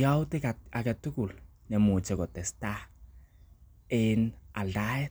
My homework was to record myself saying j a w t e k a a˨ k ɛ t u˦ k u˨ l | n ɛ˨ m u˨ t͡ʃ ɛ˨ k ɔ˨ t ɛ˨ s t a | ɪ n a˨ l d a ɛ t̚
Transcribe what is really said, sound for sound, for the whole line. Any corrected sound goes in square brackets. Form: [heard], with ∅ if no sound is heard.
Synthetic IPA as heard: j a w t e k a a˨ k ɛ t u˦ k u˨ l | n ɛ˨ m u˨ t͡ʃ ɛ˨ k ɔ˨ t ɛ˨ s t a | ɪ n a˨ l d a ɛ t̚